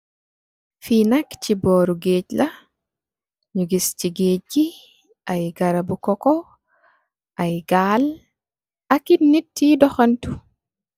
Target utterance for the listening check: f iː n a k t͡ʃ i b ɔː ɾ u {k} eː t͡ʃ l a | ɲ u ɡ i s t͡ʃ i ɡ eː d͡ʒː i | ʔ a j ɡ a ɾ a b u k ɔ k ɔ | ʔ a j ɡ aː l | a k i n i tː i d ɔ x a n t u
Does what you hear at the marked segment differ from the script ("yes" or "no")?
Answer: yes